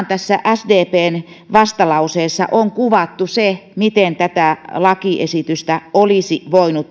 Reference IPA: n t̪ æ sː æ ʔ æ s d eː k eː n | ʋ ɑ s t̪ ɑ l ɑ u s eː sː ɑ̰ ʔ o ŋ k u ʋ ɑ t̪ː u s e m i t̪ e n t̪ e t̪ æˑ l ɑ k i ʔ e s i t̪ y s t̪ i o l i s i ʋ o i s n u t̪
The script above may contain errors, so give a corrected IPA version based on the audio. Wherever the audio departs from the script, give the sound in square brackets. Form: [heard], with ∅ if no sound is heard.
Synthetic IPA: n t̪ æ sː æ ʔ æ s d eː [p] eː n | ʋ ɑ s t̪ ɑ l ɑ u s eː sː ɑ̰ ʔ o ŋ k u ʋ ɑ t̪ː u s e m i t̪ e n t̪ [æ] t̪ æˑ l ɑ k i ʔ e s i t̪ y s t̪ [æ] o l i s i ʋ o i [∅] n u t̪

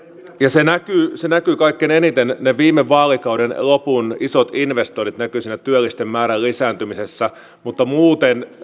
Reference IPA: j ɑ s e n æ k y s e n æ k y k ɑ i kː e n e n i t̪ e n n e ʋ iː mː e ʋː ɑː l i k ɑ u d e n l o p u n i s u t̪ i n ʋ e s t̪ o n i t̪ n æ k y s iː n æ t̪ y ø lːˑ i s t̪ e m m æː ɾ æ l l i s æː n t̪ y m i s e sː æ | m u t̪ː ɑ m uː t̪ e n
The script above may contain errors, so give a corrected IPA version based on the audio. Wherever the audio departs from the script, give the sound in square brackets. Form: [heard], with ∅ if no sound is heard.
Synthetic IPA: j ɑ s e n æ k y s e n æ k y k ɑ i kː e n e n i t̪ e n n e ʋ iː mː e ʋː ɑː l i k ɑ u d e n l o p u n i s [o] t̪ i n ʋ e s t̪ o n i t̪ n æ k y s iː n æ t̪ y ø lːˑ i s t̪ e m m æː ɾ æ l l i s æː n t̪ y m i s e sː æ | m u t̪ː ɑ m uː t̪ e n

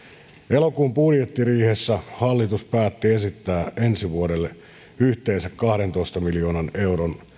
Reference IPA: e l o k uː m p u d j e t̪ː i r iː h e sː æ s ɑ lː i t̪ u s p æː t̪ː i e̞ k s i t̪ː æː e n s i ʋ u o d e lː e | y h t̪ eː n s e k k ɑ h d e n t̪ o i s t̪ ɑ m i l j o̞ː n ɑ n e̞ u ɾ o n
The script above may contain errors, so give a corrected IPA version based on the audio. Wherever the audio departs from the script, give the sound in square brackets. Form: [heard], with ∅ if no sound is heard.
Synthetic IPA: e l o k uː m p u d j e t̪ː i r iː h e sː æ [h] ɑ lː i t̪ u s p æː t̪ː i e̞ [∅] s i t̪ː æː e n s i ʋ u o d e lː e | y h t̪ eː n s [æ] k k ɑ h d e n t̪ o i s t̪ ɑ m i l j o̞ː n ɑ n e̞ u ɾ o n

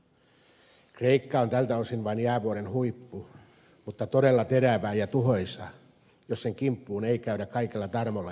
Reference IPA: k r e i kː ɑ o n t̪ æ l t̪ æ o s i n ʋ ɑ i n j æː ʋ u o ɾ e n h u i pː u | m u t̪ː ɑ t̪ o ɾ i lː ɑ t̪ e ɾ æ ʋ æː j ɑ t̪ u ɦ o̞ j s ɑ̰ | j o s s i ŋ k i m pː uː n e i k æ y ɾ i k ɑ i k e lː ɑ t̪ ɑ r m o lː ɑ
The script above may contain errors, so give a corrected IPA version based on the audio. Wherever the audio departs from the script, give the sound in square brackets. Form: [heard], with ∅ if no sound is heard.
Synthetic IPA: k r e i kː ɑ o n t̪ æ l t̪ æ o s i n ʋ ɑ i n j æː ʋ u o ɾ e n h u i pː u | m u t̪ː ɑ t̪ o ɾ [e] lː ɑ t̪ e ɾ æ ʋ æː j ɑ t̪ u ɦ o̞ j s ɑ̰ | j o s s [e] ŋ k i m pː uː n e i k æ y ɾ [æ] k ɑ i k e lː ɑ t̪ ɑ r m o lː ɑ

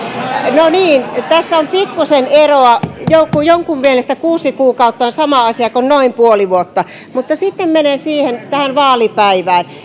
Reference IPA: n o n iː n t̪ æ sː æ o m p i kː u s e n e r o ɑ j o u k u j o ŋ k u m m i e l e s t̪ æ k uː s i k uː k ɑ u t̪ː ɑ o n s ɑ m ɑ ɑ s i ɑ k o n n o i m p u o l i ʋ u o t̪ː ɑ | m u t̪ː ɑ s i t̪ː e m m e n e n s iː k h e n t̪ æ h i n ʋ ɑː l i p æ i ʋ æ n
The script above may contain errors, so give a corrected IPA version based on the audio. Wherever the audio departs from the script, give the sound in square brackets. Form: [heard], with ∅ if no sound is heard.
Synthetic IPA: n o n iː n t̪ æ sː æ o m p i kː u s e n e r o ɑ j o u k u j o ŋ k u m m i e l e s t̪ æ k uː s i k uː k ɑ u t̪ː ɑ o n s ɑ m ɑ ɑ s i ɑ k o n n o i m p u o l i ʋ u o t̪ː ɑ | m u t̪ː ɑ s i t̪ː e m m e n e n s iː [∅] h e n t̪ æ h [æ] n ʋ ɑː l i p æ i ʋ [æː] n

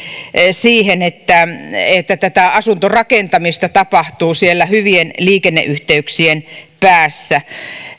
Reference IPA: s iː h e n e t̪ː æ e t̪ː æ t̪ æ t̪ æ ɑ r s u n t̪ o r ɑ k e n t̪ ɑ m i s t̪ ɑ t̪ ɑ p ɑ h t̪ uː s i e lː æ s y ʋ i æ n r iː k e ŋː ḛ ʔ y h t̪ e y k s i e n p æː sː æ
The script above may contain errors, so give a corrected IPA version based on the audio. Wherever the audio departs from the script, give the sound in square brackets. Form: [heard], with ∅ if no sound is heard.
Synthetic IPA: s iː h e n e t̪ː æ e t̪ː æ t̪ æ t̪ æ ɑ [∅] s u n t̪ o r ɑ k e n t̪ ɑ m i s t̪ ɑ t̪ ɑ p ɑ h t̪ uː s i e lː æ [h] y ʋ i [e] n [l] iː k e [nː] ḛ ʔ y h t̪ e y k s i e n p æː sː æ

